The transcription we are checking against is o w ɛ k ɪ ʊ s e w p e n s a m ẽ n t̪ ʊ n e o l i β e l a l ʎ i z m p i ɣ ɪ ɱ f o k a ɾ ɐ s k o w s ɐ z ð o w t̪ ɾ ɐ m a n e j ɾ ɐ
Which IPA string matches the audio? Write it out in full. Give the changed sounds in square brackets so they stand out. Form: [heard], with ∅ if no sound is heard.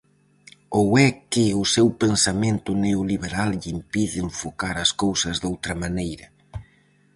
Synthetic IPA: o w ɛ k ɪ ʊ s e w p e n s a m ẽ n t̪ ʊ n e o l i β e [ɾ] a l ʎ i [∅] m p i [ð] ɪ ɱ f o k a ɾ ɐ s k o w s ɐ z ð o w t̪ ɾ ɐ m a n e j ɾ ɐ